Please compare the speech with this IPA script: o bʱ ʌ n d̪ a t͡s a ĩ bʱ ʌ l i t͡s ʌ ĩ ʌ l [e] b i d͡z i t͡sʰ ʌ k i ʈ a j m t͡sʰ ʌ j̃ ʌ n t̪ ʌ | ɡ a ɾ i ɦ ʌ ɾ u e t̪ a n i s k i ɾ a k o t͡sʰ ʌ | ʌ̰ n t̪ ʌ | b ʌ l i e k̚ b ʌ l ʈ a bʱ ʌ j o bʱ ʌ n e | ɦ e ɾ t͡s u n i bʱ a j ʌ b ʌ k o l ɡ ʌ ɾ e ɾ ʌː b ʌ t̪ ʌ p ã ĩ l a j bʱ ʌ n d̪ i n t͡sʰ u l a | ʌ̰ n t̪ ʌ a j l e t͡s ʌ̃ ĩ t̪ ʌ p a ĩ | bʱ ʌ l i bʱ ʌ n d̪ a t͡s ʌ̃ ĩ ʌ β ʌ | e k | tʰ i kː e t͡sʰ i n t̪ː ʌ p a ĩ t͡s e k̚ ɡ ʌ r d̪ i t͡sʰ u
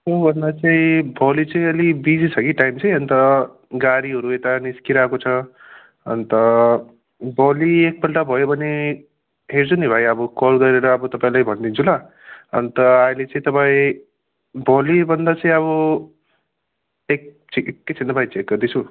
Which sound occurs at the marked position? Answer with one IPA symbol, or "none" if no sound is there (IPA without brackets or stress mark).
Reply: i